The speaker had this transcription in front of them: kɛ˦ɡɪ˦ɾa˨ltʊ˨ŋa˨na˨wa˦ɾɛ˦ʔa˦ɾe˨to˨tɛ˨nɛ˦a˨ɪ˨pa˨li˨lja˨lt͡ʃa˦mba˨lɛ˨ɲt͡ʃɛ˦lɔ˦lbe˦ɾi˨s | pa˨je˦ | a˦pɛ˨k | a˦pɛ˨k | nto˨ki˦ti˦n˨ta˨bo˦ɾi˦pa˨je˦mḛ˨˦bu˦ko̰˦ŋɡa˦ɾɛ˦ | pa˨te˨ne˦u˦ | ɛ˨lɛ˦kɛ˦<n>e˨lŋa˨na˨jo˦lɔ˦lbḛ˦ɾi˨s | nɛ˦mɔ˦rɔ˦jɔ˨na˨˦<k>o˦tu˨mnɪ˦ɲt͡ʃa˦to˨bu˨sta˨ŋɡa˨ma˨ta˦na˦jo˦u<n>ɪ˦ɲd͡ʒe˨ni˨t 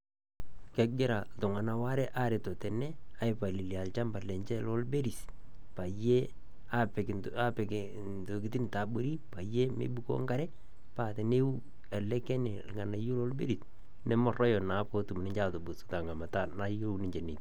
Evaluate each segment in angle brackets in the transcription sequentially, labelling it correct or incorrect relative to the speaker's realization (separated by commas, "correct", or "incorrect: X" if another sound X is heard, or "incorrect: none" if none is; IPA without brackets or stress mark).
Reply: correct, incorrect: p, correct